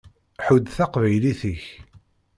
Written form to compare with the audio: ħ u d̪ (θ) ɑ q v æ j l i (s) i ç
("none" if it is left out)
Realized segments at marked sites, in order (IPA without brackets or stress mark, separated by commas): θ, θ